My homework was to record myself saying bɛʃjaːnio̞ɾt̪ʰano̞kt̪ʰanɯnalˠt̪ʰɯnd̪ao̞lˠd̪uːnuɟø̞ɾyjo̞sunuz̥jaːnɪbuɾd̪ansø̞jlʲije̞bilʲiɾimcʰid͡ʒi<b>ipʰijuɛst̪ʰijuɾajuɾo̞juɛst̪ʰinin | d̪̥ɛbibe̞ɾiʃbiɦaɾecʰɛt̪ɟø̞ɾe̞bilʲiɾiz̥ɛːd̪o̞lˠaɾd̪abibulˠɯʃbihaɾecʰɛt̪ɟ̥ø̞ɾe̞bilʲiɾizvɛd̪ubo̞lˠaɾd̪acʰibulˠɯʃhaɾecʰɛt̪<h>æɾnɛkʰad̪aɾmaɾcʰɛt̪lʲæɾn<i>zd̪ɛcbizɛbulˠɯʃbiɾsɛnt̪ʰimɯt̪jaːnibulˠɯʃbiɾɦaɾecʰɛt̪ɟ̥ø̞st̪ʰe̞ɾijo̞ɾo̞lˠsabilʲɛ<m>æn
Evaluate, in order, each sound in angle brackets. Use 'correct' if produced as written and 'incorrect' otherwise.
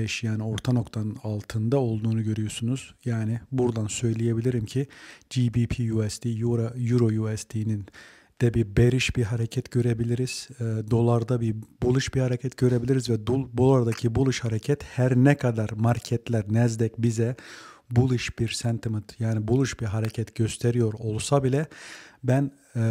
correct, correct, incorrect: ɛ, incorrect: b

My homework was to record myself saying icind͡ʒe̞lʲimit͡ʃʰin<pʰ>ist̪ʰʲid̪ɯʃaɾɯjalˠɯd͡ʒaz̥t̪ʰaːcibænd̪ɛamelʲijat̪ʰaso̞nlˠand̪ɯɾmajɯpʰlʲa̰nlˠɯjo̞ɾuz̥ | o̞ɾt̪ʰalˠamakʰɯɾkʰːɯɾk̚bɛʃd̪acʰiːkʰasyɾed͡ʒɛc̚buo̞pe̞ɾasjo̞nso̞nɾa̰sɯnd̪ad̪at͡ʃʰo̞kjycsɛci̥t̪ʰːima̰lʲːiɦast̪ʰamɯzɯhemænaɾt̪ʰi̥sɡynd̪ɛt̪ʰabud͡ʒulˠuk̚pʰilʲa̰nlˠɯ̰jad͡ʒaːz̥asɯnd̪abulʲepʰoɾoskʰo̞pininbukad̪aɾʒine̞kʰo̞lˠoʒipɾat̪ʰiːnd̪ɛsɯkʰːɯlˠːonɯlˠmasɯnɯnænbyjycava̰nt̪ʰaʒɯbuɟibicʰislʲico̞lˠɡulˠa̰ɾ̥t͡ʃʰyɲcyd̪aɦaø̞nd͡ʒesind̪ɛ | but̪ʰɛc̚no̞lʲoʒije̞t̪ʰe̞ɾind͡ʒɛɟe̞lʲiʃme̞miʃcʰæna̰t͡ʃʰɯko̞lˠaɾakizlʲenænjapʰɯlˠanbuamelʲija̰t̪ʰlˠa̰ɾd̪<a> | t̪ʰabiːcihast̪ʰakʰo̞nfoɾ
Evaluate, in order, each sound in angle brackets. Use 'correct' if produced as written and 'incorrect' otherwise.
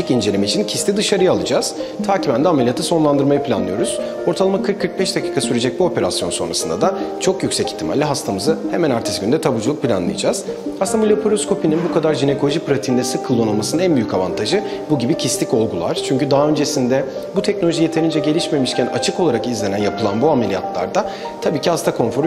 incorrect: cʰ, correct

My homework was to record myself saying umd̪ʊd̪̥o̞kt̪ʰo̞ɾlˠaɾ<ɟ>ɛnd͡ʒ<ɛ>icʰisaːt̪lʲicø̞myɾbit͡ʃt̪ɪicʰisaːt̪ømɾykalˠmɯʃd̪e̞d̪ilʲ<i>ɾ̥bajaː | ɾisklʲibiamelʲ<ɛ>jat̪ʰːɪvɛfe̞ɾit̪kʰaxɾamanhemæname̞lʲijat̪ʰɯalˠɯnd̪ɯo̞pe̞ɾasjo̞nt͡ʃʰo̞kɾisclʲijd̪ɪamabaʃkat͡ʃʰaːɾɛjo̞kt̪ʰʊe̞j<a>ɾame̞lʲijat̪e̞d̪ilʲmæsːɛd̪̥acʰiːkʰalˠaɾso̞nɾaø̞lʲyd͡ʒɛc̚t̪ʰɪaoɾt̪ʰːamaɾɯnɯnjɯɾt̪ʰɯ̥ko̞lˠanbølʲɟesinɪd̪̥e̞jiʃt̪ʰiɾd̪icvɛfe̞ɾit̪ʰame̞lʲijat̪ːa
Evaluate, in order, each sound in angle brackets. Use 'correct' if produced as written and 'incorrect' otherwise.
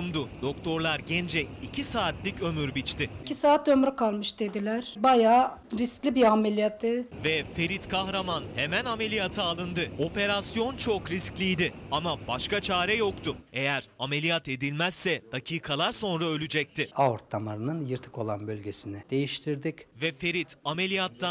correct, correct, incorrect: æ, incorrect: i, incorrect: æ

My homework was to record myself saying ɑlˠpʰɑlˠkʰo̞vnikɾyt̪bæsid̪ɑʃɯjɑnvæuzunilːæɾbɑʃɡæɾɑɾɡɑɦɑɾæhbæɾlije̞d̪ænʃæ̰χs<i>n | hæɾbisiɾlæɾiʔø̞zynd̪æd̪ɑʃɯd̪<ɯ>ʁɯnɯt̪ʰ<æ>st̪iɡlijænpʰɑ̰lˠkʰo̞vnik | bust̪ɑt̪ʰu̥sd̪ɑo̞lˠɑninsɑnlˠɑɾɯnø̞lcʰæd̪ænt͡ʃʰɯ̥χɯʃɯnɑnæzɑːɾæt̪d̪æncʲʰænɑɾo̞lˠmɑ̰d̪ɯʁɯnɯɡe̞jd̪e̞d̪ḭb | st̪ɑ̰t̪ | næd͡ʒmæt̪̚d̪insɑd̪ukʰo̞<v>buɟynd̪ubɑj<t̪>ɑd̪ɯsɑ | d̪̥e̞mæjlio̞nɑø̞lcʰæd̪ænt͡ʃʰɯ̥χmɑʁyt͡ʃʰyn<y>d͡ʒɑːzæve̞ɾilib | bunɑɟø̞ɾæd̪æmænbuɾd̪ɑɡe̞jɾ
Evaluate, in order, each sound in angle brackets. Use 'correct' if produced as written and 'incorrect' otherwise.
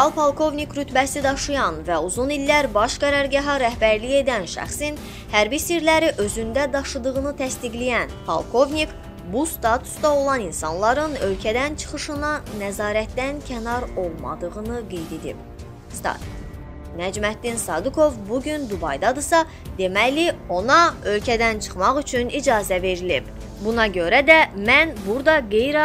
correct, correct, correct, correct, incorrect: d̪, incorrect: i

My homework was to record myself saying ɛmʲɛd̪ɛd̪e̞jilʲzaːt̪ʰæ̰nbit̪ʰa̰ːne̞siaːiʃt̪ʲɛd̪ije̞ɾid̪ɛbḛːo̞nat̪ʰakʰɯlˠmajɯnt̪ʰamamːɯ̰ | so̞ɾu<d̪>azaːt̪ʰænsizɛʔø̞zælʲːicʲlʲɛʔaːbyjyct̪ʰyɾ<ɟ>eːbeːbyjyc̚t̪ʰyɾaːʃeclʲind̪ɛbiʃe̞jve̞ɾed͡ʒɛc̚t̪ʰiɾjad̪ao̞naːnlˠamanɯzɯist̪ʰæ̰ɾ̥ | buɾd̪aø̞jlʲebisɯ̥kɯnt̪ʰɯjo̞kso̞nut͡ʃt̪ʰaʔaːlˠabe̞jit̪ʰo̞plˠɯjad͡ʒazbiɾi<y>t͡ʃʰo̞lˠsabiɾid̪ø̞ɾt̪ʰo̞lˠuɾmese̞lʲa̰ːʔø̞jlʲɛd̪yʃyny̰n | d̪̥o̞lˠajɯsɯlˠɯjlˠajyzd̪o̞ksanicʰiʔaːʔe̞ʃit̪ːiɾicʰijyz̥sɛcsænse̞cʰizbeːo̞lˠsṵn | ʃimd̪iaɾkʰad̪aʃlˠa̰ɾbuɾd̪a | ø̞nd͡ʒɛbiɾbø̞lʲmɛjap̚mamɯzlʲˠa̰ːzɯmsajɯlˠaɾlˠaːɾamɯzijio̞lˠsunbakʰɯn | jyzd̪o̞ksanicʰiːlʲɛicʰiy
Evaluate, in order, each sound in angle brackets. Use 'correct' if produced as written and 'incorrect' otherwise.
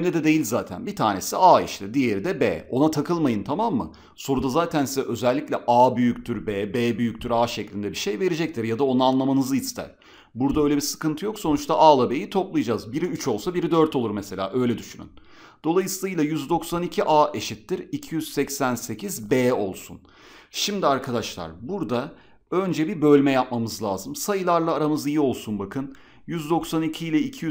correct, incorrect: b, correct

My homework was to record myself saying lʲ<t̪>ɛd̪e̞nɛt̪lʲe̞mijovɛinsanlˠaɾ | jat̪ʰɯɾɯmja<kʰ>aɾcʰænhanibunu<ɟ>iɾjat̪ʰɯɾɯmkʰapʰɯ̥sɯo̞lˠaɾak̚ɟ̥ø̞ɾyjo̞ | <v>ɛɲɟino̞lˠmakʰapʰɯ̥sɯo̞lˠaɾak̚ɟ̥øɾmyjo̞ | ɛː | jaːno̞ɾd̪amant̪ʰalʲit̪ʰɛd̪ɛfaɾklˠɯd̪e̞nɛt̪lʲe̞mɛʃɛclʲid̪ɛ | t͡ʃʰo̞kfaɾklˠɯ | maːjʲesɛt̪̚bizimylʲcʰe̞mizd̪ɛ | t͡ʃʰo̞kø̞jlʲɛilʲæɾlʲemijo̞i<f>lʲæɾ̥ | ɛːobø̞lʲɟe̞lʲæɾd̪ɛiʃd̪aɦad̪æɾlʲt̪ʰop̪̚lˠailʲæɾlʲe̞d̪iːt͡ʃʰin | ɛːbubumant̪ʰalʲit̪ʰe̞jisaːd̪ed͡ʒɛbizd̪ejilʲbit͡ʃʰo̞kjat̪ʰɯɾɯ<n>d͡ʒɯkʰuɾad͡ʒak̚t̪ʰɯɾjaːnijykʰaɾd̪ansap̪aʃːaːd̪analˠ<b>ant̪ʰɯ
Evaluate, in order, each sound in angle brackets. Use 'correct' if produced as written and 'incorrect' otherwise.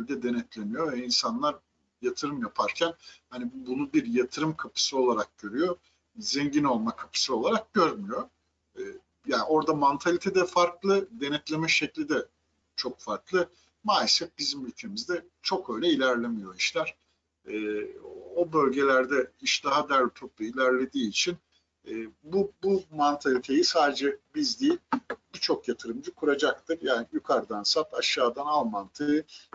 incorrect: d̪, incorrect: pʰ, incorrect: b, incorrect: z, incorrect: ʃ, incorrect: m, incorrect: m

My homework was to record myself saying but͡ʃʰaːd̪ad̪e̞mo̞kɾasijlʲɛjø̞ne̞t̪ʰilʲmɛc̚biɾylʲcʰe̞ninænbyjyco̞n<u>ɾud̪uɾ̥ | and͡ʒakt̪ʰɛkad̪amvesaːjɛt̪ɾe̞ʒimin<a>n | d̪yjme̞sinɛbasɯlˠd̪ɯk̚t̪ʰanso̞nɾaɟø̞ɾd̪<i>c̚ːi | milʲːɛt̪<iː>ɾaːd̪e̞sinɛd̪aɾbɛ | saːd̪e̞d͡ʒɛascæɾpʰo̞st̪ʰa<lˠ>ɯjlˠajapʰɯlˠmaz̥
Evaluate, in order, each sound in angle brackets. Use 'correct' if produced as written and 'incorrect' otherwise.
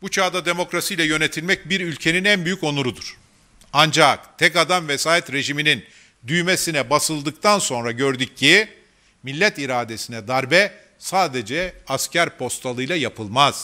correct, incorrect: i, incorrect: y, incorrect: i, correct

